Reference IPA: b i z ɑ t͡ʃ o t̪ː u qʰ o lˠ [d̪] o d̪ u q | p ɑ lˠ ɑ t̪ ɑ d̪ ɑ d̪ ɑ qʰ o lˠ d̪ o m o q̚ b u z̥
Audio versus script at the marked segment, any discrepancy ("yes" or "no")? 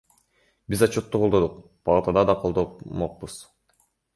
no